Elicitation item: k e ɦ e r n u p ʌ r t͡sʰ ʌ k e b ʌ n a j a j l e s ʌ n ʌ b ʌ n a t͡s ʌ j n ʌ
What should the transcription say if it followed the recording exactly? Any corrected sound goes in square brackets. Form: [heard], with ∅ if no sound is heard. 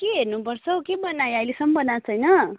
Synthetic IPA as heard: k e ɦ e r n u p ʌ r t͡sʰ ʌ k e b ʌ n a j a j l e s ʌ [m] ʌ b ʌ n a [t͡sʰ] ʌ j n ʌ